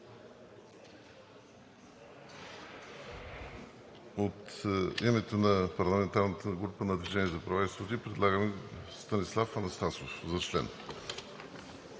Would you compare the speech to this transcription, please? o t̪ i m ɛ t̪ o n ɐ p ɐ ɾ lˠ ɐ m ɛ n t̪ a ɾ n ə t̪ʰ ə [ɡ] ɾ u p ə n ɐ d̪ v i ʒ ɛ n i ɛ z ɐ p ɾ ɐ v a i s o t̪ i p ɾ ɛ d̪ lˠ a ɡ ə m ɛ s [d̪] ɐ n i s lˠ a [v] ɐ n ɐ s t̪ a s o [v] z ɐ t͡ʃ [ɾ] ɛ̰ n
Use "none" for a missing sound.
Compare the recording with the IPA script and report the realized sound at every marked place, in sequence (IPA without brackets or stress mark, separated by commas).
ɡ, t̪, f, f, l